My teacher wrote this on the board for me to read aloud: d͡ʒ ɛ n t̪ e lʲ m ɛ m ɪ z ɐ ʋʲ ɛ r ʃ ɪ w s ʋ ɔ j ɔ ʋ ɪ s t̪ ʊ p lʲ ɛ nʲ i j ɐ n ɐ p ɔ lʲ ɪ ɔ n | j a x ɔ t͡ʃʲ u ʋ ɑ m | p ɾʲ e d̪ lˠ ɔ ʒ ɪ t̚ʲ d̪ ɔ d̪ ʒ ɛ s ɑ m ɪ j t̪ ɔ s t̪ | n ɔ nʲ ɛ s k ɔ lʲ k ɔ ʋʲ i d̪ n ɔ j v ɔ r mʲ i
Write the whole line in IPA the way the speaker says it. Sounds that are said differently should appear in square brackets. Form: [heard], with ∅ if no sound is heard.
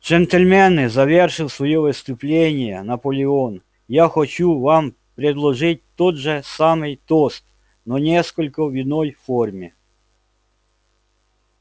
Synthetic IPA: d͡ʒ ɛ n t̪ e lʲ m ɛ [n] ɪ z ɐ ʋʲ ɛ r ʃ ɪ w s ʋ ɔ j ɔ ʋ ɪ s t̪ ʊ p lʲ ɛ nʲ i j ɐ n ɐ p ɔ lʲ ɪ ɔ n | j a x ɔ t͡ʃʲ u ʋ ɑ m | p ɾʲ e d̪ lˠ ɔ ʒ ɪ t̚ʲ [t̪] ɔ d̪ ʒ ɛ s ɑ m ɪ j t̪ ɔ s t̪ | n ɔ nʲ ɛ s k ɔ lʲ k ɔ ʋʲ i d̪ n ɔ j [f] ɔ r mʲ i